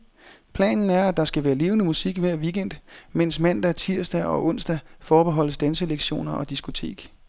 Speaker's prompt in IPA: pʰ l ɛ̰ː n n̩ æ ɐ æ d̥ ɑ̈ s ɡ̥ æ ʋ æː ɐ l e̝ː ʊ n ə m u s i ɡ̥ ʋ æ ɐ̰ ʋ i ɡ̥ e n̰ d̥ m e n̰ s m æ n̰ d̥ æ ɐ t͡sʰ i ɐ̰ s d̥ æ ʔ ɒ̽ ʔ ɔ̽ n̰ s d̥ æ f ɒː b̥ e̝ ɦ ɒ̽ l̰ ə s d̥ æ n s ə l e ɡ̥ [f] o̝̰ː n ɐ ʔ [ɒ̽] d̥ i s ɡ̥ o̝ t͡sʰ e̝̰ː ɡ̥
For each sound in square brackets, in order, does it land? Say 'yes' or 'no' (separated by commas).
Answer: no, yes